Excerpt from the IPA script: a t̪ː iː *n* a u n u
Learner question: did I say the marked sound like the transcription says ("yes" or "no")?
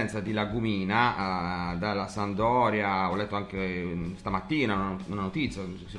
yes